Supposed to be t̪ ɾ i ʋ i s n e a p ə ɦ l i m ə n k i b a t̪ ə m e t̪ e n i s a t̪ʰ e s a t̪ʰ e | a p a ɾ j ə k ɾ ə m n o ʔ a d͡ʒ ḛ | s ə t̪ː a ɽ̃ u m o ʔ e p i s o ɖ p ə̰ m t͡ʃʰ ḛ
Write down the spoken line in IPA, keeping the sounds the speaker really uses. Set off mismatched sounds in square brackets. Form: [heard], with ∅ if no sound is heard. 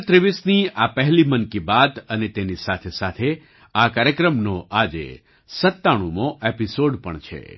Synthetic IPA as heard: t̪ ɾ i ʋ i s n [i] a p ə ɦ l i m ə n k i b a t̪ ə [n] e t̪ e n i s a t̪ʰ e s a t̪ʰ e | a [k] a ɾ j ə k ɾ ə m n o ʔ a d͡ʒ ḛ | s ə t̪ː a ɽ̃ u m o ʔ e p i s o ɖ p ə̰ [ɳ] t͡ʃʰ ḛ